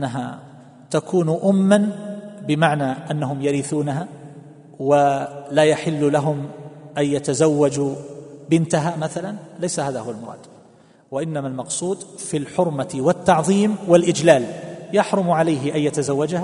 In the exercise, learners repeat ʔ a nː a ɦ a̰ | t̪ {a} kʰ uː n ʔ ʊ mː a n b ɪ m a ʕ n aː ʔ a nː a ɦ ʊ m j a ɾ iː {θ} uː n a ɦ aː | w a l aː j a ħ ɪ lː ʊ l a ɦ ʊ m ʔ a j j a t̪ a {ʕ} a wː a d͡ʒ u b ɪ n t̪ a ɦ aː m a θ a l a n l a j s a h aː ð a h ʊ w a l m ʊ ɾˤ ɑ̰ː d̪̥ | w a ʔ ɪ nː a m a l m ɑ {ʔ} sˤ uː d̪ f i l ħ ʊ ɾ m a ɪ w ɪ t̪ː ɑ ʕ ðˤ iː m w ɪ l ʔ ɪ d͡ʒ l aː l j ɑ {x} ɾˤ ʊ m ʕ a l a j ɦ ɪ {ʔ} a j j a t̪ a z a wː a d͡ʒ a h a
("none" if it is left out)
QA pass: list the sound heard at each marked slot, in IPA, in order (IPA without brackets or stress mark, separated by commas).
a, θ, z, q, ħ, ʔ